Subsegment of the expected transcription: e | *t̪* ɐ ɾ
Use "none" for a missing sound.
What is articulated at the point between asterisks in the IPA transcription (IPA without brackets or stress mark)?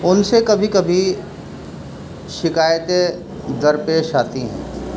d̪